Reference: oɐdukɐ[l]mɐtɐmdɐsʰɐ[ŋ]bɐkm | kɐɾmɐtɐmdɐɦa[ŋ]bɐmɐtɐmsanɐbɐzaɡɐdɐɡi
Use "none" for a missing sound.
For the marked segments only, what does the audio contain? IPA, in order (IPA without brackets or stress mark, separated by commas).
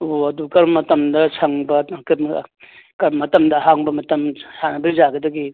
ɾ, ŋ, ŋ